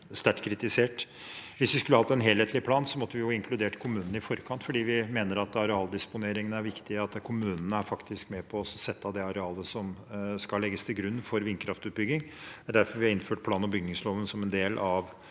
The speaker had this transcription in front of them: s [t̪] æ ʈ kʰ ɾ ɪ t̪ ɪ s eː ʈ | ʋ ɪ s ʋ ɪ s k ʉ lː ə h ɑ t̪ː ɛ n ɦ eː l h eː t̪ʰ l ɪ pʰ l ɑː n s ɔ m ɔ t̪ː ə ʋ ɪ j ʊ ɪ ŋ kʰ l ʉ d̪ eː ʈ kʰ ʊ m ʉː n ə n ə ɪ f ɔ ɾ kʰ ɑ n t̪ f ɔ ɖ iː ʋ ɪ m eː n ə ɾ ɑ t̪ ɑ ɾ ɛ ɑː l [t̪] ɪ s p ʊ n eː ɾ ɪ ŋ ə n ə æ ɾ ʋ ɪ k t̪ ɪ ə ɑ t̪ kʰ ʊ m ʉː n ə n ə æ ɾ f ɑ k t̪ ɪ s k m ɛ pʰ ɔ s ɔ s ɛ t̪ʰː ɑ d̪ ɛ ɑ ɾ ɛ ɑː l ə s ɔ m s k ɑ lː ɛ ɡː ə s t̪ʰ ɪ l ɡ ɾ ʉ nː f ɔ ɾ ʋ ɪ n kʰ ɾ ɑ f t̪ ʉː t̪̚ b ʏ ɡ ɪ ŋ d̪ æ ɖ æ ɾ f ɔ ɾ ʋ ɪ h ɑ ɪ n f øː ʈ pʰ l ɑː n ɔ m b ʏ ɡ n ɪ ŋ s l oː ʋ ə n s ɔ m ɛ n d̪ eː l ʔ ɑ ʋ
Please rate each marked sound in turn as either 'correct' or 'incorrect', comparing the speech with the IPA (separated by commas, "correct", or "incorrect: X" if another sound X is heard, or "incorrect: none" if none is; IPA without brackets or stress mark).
correct, incorrect: d̪